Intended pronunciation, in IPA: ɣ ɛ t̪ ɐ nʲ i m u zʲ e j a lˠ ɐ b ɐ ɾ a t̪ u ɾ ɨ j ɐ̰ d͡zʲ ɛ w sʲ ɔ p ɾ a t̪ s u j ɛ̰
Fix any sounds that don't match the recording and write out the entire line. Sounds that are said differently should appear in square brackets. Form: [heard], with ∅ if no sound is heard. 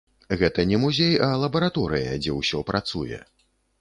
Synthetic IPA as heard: ɣ ɛ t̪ ɐ nʲ [ɛ] m u zʲ e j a lˠ ɐ b ɐ ɾ a t̪ [ɔ] ɾ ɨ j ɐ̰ d͡zʲ ɛ w sʲ ɔ p ɾ a t̪ s u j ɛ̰